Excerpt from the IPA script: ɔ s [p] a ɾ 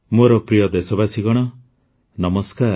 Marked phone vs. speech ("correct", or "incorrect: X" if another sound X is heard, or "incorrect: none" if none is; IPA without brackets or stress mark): incorrect: k